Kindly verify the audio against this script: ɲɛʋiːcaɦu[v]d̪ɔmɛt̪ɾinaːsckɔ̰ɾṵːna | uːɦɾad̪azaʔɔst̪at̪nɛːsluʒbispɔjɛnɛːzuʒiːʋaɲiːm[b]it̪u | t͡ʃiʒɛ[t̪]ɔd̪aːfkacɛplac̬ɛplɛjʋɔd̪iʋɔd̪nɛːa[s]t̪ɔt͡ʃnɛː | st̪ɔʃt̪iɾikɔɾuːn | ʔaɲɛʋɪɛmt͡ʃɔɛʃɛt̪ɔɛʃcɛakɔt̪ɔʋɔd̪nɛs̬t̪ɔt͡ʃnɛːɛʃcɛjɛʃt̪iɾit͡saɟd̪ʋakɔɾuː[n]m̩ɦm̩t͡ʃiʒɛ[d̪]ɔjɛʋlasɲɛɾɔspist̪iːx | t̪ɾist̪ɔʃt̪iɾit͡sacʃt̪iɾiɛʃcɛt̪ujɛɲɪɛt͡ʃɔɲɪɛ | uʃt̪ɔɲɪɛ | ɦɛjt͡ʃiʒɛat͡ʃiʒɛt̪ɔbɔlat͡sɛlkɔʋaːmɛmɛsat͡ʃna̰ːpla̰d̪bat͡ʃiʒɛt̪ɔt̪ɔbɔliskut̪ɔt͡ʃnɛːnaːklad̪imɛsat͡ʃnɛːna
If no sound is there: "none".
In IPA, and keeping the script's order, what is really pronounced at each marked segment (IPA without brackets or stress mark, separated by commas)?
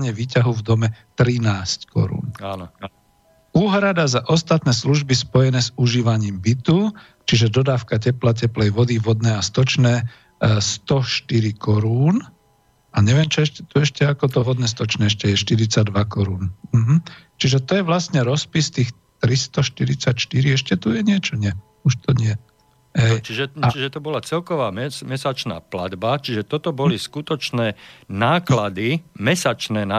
v, b, d̪, s, n, t̪